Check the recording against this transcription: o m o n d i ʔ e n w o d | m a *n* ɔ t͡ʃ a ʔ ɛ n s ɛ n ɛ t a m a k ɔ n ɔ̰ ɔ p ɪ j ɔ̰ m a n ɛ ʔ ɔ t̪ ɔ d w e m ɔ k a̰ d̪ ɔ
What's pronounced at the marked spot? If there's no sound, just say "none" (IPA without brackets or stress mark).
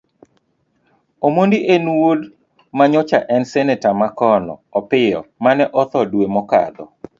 ɲ